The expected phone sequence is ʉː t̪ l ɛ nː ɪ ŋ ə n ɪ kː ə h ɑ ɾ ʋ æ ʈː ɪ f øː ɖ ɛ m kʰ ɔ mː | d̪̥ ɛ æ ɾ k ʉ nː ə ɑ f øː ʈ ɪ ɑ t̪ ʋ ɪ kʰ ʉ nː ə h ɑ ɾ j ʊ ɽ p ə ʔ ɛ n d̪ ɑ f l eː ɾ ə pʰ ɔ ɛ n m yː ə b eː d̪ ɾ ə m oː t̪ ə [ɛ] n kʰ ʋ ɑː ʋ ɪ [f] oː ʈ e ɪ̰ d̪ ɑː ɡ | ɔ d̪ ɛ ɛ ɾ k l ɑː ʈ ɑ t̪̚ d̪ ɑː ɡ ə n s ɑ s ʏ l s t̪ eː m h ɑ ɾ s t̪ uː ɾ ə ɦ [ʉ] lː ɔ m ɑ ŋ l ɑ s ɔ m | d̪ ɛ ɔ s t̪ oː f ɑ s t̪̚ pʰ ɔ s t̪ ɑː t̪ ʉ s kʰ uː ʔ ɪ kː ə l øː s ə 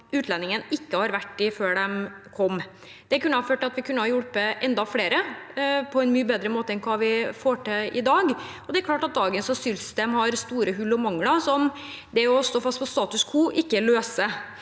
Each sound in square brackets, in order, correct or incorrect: correct, correct, correct

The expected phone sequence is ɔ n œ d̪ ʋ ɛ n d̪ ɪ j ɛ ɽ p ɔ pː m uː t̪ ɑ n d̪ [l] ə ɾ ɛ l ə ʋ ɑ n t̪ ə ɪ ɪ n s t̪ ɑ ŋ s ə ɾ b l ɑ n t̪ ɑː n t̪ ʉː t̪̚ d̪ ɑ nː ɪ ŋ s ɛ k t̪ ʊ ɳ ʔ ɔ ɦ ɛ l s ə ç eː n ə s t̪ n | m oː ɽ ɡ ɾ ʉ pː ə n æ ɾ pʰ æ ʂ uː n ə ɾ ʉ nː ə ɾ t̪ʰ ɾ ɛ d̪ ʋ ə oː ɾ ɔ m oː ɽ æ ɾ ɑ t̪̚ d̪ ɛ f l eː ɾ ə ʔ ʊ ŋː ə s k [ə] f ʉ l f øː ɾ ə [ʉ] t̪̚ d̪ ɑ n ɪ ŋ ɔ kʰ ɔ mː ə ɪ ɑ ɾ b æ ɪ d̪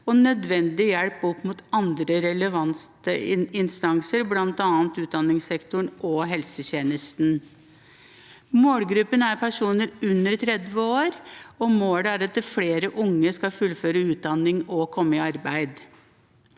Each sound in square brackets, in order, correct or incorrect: incorrect, incorrect, incorrect

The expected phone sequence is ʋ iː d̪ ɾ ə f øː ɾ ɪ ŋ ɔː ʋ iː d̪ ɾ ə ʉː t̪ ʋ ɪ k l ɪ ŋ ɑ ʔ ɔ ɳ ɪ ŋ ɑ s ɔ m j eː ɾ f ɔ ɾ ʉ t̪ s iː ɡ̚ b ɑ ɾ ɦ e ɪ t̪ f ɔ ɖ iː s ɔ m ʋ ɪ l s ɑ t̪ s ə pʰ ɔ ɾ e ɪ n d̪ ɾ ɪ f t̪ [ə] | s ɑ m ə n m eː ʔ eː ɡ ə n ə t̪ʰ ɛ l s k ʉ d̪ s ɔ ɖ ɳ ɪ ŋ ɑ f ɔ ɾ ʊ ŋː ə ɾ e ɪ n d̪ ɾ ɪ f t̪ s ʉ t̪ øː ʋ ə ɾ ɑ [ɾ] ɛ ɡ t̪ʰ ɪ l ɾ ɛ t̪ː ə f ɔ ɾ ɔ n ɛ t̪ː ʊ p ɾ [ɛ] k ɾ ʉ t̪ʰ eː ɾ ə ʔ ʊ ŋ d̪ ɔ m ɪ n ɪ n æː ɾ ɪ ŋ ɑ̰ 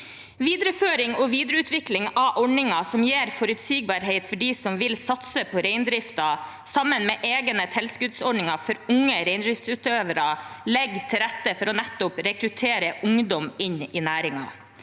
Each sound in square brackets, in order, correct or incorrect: incorrect, incorrect, correct

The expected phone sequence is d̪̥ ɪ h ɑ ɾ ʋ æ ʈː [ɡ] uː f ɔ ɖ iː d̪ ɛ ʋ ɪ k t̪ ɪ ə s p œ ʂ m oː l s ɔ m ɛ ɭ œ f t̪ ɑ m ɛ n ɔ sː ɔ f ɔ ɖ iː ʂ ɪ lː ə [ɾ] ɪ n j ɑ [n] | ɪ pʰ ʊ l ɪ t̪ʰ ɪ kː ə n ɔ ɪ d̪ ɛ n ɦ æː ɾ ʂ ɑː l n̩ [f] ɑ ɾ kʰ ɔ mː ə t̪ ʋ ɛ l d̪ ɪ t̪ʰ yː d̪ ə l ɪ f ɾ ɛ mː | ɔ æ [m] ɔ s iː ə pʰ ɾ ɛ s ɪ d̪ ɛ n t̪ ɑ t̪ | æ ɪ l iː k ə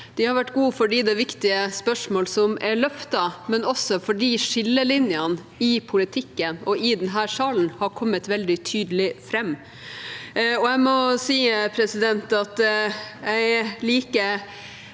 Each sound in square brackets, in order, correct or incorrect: correct, incorrect, correct, incorrect, correct

